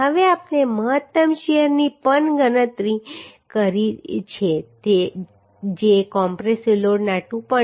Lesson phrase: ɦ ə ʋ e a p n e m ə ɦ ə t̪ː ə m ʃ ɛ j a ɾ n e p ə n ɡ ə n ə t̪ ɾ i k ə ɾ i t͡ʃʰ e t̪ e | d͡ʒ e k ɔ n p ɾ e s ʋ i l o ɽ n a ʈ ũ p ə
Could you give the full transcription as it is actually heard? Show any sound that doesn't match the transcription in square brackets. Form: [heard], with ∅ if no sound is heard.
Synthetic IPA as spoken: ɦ ə ʋ e a p n e m ə ɦ ə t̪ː ə m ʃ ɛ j [ə] ɾ n [i] p ə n ɡ ə n ə t̪ ɾ i k ə ɾ i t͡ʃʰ e t̪ e | d͡ʒ e k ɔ [m] p ɾ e s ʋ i l o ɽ n a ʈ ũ p ə